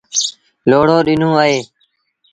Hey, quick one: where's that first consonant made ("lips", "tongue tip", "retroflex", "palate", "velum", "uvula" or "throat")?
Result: tongue tip